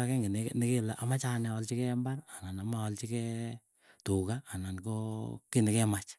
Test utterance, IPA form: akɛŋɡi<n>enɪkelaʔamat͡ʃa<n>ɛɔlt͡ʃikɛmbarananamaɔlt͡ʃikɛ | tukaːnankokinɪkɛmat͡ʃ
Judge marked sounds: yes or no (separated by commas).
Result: yes, yes